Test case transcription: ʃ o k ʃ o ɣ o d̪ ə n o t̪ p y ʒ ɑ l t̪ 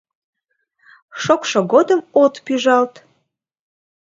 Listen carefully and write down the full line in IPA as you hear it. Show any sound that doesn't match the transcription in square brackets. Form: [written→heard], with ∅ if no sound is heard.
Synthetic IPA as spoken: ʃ o k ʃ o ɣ o d̪ ə [n→m] o t̪ p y ʒ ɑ l t̪